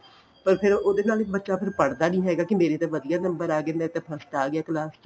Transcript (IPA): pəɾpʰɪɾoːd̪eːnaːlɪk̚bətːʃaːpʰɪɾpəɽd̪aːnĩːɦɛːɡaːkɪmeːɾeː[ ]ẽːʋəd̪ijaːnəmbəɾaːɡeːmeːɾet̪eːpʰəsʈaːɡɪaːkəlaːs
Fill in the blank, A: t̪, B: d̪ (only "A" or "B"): A